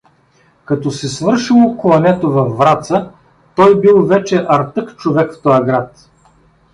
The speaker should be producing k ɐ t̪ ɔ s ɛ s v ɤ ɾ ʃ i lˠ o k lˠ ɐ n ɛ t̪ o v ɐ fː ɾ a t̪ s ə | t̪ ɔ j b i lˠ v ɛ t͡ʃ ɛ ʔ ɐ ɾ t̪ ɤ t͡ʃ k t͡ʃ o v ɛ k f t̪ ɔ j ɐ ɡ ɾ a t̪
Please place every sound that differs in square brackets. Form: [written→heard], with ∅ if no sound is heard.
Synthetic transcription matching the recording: k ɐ t̪ ɔ s ɛ s v ɤ ɾ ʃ i lˠ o k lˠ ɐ n ɛ t̪ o v ɐ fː ɾ a t̪ s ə | t̪ ɔ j b i lˠ v ɛ t͡ʃ ɛ ʔ ɐ ɾ t̪ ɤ [t͡ʃ→∅] k t͡ʃ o v ɛ k f t̪ ɔ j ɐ ɡ ɾ a t̪